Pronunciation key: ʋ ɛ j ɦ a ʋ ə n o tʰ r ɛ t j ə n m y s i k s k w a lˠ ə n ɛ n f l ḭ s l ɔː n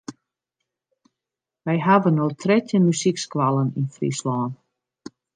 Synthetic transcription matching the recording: ʋ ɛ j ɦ a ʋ ə n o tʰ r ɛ t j ə n m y s i k s k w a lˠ ə n i n f r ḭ s l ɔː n